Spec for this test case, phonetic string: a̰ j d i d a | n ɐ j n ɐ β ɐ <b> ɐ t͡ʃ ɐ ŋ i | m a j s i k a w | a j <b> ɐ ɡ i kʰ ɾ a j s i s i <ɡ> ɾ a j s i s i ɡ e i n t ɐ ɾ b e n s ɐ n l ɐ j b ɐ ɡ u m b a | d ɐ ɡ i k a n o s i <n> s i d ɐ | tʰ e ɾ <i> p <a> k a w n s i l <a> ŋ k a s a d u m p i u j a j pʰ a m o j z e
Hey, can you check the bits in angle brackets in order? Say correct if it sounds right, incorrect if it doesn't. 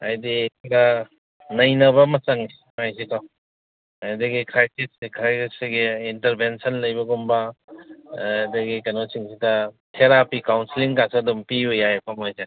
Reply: incorrect: m, incorrect: d, incorrect: k, incorrect: ŋ, incorrect: a, incorrect: i, incorrect: i

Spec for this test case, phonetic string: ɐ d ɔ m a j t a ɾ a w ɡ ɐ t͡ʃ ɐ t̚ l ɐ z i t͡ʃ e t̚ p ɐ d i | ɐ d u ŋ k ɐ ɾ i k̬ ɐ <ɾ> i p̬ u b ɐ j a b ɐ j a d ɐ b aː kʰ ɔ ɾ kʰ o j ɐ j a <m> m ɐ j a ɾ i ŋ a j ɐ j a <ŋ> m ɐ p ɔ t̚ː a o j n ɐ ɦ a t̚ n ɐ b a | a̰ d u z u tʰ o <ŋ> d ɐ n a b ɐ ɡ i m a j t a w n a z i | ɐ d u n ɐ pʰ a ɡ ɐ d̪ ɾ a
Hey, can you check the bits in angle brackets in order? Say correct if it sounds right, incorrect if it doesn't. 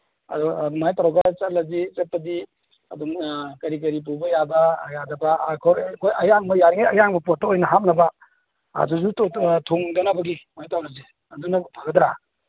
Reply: correct, incorrect: ŋ, correct, correct

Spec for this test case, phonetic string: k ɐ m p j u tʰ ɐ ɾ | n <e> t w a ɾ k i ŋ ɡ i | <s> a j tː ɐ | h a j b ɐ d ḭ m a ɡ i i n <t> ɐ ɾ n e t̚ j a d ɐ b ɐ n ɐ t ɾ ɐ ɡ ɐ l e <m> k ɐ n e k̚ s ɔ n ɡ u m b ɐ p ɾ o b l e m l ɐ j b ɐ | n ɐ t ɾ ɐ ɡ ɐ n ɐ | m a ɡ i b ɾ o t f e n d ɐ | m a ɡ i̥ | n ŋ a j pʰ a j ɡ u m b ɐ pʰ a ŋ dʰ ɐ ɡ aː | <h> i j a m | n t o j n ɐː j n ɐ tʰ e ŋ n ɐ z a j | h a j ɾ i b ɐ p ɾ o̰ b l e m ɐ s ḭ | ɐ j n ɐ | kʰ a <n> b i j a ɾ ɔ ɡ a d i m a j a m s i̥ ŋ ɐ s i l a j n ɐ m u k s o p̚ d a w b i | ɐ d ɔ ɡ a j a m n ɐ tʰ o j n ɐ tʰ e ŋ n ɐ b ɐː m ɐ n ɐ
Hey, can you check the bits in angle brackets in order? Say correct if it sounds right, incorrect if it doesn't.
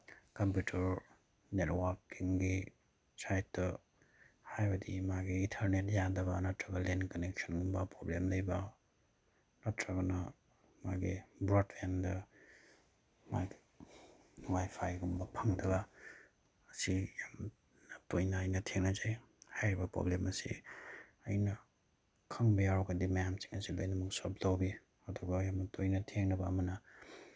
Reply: correct, correct, incorrect: tʰ, incorrect: n, incorrect: s, incorrect: ŋ

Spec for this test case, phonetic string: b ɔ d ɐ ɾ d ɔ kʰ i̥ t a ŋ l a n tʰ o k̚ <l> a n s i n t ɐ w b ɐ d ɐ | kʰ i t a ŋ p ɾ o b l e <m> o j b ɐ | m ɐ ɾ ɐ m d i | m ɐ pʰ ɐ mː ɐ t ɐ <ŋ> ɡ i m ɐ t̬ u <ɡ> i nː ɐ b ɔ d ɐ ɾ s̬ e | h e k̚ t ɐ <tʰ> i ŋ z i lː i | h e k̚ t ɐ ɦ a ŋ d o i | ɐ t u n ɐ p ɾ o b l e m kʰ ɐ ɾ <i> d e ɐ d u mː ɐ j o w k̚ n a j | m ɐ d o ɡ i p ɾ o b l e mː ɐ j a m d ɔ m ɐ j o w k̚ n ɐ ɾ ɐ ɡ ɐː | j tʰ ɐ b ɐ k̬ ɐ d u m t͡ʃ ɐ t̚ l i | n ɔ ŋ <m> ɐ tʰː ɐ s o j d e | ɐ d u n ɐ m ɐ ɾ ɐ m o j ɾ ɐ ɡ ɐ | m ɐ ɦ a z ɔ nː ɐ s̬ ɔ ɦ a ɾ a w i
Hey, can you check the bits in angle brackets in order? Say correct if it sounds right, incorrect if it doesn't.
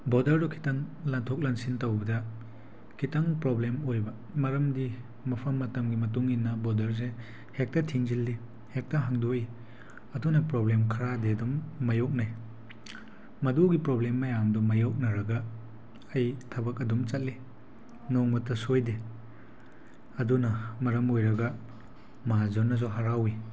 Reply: correct, correct, incorrect: m, incorrect: ŋ, correct, incorrect: a, correct

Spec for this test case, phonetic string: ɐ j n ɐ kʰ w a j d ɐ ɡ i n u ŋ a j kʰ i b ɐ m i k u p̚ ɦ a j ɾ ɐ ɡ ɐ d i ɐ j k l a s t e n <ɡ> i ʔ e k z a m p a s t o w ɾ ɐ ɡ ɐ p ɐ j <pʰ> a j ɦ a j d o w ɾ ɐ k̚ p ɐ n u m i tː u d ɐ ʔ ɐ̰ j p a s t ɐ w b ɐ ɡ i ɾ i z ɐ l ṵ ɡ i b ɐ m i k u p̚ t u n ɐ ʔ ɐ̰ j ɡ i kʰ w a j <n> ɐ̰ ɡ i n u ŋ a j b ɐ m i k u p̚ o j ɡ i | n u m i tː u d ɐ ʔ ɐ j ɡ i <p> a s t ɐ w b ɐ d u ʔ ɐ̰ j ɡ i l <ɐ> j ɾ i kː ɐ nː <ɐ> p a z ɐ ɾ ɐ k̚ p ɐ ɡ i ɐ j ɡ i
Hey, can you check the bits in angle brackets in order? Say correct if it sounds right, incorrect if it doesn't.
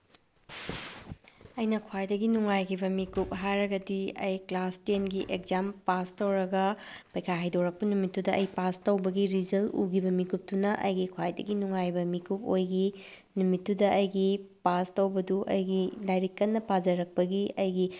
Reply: correct, incorrect: kʰ, incorrect: d, correct, incorrect: a, correct

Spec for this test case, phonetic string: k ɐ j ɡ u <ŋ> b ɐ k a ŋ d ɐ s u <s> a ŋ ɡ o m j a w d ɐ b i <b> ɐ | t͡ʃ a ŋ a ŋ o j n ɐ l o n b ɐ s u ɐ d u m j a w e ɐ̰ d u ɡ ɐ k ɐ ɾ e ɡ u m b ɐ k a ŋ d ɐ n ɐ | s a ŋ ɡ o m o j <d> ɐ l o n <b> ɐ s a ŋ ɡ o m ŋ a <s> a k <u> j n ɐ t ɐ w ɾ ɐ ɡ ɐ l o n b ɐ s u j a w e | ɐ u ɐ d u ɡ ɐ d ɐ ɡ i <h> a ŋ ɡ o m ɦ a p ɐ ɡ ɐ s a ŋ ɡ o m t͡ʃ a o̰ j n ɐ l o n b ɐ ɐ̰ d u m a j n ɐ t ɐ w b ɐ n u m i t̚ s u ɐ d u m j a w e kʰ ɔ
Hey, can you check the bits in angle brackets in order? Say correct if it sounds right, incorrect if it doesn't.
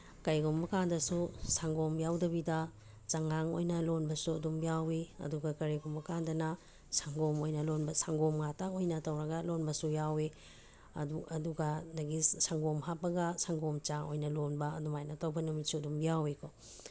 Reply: incorrect: m, correct, incorrect: d, incorrect: n, correct, incorrect: t, incorrect: o, incorrect: s

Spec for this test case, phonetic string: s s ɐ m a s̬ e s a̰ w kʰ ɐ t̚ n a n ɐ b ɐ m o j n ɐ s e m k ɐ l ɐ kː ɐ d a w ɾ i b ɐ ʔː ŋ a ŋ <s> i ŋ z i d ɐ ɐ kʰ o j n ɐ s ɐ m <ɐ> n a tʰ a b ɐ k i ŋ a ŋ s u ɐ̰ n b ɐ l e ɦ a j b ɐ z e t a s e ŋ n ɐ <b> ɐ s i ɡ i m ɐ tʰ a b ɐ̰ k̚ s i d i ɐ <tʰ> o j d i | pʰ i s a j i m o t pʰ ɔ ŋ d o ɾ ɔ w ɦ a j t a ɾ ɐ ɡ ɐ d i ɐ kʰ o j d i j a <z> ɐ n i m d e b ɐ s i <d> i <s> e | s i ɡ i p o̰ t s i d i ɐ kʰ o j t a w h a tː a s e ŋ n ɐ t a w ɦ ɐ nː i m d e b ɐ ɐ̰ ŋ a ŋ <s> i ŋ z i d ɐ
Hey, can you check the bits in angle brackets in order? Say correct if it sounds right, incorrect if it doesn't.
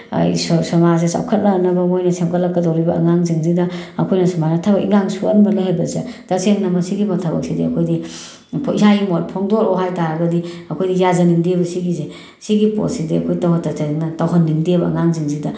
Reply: incorrect: z, incorrect: a, incorrect: m, incorrect: kʰ, correct, incorrect: ɡ, incorrect: z, incorrect: z

